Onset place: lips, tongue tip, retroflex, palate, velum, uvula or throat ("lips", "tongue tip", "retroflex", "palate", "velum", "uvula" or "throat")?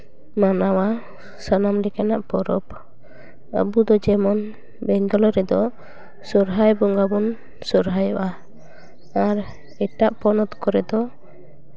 lips